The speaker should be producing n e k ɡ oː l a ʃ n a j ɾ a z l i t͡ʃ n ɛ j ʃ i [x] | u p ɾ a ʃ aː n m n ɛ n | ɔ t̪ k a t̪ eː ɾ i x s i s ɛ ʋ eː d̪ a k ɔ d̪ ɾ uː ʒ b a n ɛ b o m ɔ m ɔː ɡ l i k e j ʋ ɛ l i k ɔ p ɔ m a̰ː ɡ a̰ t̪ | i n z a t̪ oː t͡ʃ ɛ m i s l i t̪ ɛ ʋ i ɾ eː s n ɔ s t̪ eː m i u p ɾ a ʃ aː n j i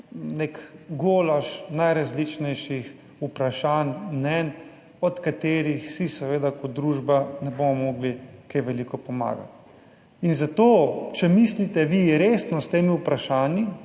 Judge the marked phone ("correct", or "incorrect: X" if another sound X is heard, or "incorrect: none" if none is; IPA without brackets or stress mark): correct